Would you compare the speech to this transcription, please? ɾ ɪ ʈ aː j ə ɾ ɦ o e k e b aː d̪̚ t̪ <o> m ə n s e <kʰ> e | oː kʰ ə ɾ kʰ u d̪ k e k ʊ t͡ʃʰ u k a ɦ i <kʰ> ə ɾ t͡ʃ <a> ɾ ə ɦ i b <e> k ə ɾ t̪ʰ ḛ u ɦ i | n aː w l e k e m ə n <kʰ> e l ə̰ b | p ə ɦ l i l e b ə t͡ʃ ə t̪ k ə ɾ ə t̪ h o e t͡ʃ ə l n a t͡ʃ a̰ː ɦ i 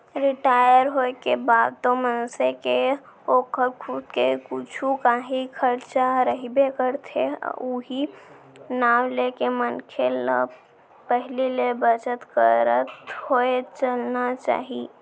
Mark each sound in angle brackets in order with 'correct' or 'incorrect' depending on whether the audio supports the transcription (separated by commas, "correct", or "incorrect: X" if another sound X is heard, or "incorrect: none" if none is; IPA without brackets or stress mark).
correct, incorrect: k, correct, correct, correct, correct